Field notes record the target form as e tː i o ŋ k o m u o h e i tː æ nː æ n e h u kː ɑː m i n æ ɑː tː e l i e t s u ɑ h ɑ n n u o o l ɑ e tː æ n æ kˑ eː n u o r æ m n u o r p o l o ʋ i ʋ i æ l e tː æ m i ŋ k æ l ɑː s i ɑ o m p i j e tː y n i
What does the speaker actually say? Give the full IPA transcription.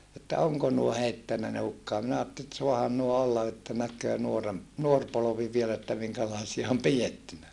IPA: e tː æ o ŋ k o n u o h e i tː æ nː æ n e h u kː ɑː m i n æ ɑː tː e l i e t s u ɑ h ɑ n n u o o lː ɑ e tː æ n æ kˑ øː n u o r e m n u o r p o l o ʋ i ʋ i e l e tː æ m i ŋ k æ l ɑː s i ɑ o m p i j e tː y n æ